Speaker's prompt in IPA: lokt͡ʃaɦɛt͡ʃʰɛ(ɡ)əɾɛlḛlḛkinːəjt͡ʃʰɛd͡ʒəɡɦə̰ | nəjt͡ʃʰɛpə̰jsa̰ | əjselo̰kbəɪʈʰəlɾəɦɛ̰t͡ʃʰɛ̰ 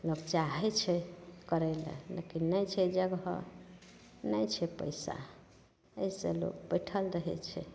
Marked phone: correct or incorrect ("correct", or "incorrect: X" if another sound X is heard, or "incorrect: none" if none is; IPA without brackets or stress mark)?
incorrect: k